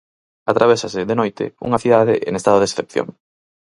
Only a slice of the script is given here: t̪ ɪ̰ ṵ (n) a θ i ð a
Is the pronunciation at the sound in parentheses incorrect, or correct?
incorrect